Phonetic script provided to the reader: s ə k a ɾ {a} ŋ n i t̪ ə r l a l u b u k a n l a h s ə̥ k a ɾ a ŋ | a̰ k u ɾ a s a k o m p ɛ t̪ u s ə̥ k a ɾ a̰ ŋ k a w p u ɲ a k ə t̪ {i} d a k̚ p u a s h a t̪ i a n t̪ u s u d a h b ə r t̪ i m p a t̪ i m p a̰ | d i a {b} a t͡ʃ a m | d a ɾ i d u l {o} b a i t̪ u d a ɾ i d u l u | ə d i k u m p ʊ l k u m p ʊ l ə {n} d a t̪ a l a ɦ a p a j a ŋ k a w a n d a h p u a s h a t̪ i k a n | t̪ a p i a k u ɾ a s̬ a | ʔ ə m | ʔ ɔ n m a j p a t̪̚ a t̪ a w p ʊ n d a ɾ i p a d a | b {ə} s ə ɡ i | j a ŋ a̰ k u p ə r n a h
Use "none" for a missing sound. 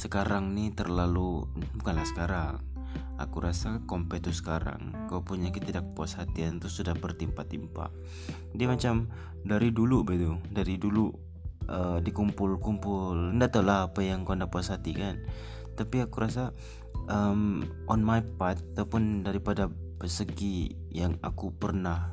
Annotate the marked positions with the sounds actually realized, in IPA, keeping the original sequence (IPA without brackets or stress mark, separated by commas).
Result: a, i, m, u, n, ə